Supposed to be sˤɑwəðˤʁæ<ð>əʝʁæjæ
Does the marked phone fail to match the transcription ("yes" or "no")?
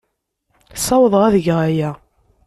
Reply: no